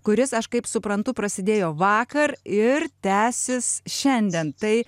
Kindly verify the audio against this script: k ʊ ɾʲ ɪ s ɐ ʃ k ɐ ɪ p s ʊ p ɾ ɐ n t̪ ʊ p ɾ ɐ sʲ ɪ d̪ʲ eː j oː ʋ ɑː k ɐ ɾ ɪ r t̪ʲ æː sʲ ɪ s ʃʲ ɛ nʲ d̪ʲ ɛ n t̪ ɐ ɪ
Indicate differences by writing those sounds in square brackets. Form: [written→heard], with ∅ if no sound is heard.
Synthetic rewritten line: k ʊ ɾʲ ɪ s ɐ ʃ k ɐ ɪ p s ʊ p ɾ ɐ n t̪ ʊ p ɾ ɐ sʲ ɪ d̪ʲ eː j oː ʋ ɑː k ɐ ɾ ɪ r t̪ʲ æː sʲ ɪ s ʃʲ ɛ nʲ d̪ʲ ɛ n t̪ ɐ ɪ